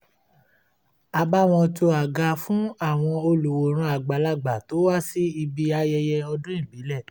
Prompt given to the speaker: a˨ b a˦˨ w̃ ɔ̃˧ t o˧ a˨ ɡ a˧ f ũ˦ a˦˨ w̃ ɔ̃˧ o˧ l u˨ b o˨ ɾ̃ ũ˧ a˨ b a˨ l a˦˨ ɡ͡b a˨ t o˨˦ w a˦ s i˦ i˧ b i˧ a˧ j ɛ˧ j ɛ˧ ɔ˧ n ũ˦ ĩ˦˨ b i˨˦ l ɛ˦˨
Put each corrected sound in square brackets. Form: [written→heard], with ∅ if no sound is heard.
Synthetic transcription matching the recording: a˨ b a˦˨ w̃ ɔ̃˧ t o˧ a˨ ɡ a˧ f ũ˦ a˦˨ w̃ ɔ̃˧ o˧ l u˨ [b→w] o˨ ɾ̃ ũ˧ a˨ [b→ɡ͡b] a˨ l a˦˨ ɡ͡b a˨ t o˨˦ w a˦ s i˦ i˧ b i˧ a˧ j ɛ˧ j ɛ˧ ɔ˧ [n→d] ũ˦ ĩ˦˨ b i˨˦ l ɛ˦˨

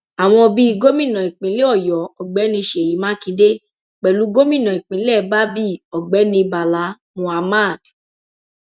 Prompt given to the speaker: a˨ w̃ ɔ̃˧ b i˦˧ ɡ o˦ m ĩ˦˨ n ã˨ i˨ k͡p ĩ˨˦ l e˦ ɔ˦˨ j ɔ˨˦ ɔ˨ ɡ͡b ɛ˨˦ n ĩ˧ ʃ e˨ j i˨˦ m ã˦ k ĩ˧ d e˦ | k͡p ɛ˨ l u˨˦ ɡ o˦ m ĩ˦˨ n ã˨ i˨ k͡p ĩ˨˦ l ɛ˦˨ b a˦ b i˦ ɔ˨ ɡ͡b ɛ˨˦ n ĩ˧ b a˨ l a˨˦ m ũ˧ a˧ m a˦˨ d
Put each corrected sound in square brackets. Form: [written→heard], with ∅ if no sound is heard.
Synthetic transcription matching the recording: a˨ w̃ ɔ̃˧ b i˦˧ ɡ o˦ m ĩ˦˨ n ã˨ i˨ k͡p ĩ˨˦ l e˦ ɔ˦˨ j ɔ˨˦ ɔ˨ ɡ͡b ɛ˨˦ n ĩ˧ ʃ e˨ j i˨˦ m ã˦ k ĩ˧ d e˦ | k͡p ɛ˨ l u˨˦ ɡ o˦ m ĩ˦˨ n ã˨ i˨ k͡p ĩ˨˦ l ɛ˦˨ b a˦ b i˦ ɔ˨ ɡ͡b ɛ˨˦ n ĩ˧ b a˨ l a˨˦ m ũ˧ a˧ m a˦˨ d

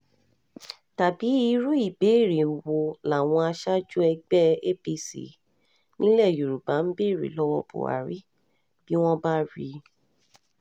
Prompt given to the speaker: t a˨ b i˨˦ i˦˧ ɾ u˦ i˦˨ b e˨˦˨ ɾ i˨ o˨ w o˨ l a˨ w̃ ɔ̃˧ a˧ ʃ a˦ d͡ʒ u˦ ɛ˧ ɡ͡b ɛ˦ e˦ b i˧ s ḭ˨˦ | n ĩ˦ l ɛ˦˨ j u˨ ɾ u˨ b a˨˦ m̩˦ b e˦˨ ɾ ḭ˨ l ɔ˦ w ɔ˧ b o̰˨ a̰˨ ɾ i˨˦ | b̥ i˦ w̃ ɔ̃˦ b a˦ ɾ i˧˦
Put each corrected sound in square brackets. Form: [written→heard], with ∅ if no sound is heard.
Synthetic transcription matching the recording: t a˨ b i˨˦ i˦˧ ɾ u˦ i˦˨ b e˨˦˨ ɾ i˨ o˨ w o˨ l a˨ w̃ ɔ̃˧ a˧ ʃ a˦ d͡ʒ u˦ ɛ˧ ɡ͡b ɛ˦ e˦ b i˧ s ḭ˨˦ | n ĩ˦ l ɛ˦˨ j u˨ ɾ u˨ b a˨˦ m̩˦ b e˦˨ ɾ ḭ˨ l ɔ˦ w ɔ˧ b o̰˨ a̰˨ ɾ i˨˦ | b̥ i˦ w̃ ɔ̃˦ b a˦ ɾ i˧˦

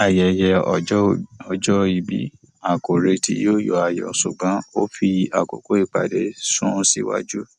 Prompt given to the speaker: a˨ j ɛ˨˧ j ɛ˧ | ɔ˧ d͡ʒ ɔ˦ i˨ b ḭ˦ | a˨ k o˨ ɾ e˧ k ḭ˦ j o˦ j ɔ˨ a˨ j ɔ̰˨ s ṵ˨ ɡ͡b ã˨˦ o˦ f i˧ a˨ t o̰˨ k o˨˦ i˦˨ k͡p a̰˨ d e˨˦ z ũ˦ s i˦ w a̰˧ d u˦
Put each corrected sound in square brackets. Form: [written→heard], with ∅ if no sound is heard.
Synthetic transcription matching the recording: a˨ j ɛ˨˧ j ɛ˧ | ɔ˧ d͡ʒ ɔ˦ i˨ b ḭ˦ | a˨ k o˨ ɾ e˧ [k→t] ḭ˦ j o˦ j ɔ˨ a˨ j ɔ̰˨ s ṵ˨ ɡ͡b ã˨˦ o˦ f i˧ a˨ [t→k] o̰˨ k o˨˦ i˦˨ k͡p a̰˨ d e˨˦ [z→s] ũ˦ s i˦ w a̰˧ [d→d͡ʒ] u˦

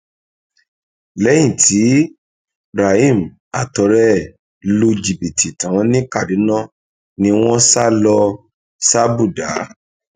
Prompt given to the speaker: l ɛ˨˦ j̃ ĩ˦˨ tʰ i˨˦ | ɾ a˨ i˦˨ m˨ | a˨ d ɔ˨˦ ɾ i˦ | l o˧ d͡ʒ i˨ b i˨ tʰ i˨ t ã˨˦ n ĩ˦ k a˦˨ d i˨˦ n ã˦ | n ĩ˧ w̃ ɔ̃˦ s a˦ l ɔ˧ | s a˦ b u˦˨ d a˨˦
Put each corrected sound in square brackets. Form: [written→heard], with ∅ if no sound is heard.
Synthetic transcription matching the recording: l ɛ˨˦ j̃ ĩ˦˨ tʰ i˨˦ | ɾ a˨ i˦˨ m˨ | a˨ [d→t] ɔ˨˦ ɾ [i˦→ɛ˦] | l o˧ d͡ʒ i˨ b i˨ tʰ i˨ t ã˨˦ n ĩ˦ k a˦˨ d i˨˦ n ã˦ | n ĩ˧ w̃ ɔ̃˦ s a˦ l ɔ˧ | s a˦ b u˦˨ d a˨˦

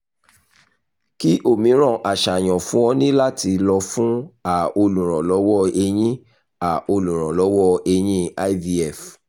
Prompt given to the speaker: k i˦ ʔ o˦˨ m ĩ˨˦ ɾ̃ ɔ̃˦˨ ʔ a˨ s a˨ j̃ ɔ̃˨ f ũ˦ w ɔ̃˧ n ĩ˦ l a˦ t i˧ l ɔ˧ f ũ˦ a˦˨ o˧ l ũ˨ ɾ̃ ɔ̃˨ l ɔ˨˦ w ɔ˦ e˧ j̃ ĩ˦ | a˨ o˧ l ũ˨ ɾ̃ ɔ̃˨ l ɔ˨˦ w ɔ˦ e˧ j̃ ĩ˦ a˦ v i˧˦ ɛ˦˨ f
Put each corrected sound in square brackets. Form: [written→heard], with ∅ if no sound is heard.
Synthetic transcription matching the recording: k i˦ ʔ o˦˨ m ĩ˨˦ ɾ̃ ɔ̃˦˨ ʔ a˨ [s→ʃ] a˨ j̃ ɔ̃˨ f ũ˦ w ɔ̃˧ n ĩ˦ l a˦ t i˧ l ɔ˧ f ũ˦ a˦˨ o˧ l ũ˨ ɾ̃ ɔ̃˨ l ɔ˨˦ w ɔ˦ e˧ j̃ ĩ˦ | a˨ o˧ l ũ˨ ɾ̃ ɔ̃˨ l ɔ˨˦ w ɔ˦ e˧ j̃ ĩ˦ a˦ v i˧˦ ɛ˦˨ f

